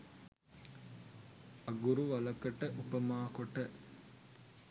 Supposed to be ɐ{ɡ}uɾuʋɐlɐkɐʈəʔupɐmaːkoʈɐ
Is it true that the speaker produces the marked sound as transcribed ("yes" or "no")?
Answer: yes